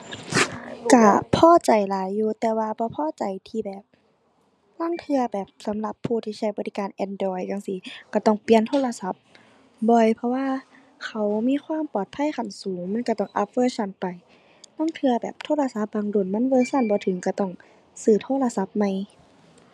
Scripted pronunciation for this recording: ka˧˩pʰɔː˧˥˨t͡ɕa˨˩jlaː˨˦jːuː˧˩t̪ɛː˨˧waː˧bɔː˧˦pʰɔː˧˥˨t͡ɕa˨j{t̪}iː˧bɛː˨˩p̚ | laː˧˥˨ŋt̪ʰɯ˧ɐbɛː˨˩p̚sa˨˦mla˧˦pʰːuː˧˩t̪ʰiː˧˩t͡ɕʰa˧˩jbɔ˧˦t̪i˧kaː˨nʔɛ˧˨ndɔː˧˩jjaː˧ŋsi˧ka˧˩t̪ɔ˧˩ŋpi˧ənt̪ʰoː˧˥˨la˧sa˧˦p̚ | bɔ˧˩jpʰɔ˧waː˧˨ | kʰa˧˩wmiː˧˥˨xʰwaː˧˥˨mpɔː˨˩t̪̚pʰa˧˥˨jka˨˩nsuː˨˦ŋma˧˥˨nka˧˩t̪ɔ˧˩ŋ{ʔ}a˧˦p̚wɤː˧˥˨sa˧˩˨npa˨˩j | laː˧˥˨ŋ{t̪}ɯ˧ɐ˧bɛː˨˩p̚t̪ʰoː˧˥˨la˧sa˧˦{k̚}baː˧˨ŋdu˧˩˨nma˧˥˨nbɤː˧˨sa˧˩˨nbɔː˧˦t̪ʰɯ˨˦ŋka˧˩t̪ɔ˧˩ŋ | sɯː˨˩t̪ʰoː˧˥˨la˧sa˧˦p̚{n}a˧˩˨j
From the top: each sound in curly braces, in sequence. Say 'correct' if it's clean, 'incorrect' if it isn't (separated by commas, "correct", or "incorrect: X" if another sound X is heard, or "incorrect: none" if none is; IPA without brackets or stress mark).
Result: incorrect: t̪ʰ, correct, incorrect: t̪ʰ, incorrect: p̚, incorrect: m